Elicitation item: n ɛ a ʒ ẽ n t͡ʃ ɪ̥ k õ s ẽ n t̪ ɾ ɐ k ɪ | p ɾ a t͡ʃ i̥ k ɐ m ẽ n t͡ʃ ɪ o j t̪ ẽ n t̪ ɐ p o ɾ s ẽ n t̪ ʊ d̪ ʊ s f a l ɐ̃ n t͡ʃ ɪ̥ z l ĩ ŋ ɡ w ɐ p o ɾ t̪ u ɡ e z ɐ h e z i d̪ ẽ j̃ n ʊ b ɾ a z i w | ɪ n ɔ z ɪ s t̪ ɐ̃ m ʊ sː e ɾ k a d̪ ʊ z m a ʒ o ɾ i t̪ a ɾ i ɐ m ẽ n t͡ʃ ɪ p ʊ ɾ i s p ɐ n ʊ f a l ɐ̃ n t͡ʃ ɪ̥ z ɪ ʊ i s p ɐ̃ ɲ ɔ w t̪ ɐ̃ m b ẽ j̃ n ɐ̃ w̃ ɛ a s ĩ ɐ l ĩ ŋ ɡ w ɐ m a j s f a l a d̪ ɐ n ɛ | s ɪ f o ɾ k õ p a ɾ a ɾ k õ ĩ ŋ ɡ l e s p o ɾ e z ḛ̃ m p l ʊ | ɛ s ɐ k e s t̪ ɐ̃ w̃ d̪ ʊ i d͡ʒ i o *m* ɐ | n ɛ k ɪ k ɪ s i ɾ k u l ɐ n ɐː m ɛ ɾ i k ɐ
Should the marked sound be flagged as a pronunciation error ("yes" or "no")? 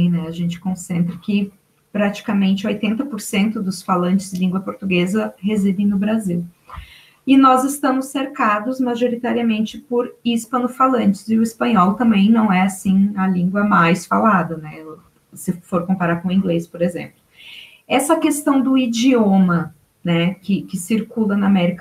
no